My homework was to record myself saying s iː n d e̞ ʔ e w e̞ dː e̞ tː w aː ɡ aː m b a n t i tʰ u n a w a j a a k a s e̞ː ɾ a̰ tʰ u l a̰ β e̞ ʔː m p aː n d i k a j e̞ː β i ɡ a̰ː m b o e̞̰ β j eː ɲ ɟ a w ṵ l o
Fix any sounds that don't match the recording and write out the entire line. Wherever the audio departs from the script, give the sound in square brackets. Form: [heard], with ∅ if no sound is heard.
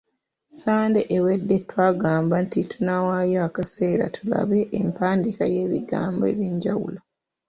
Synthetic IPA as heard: s [aː] n d e̞ ʔ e w e̞ dː e̞ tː w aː ɡ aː m b a n t i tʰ u n a w a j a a k a s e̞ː ɾ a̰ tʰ u l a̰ β e̞ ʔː m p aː n d i k a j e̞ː β i ɡ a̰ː m b o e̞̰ β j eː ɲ ɟ a w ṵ l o